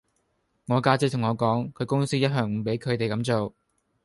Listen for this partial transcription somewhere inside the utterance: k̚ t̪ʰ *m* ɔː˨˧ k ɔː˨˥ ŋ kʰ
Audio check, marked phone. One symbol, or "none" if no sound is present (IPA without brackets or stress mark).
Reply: ŋ